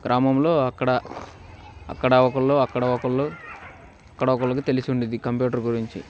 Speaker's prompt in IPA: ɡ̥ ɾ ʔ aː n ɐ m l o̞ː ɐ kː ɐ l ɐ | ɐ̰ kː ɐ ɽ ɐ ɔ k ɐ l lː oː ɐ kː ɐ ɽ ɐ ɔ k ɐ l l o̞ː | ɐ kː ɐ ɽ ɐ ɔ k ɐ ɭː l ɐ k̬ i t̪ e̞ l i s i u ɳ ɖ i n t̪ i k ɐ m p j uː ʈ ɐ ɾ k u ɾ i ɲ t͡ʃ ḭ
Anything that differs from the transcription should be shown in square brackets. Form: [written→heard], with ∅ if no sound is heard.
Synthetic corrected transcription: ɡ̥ ɾ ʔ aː [n→m] ɐ m l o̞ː ɐ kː ɐ [l→ɽ] ɐ | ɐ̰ kː ɐ ɽ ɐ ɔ k ɐ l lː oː ɐ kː ɐ ɽ ɐ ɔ k ɐ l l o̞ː | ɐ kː ɐ ɽ ɐ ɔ k ɐ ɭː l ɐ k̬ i t̪ e̞ l i s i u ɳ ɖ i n [t̪→d̪] i k ɐ m p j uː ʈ ɐ ɾ [k→ɡ] u ɾ i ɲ t͡ʃ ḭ